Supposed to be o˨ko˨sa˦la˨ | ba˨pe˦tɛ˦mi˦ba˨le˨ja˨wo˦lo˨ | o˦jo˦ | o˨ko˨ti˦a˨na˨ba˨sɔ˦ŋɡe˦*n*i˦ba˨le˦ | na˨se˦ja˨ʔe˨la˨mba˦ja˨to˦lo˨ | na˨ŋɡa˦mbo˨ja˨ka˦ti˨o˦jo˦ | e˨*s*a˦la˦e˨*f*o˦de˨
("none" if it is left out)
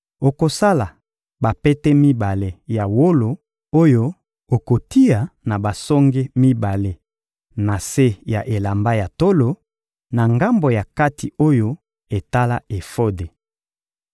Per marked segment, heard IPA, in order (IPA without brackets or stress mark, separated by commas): m, t, f